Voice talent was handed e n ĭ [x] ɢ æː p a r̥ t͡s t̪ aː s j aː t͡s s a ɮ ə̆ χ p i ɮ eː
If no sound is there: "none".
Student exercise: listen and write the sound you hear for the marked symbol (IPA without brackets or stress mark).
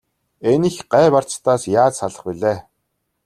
x